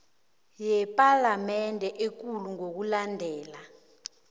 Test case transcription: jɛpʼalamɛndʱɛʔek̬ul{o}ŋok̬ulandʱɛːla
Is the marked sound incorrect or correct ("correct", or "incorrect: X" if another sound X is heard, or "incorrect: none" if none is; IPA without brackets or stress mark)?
incorrect: u